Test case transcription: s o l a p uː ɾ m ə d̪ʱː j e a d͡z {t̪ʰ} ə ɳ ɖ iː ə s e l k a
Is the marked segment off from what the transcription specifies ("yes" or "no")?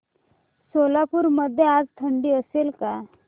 no